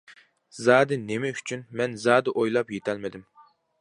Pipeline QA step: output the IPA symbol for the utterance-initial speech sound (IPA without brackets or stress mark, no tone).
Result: z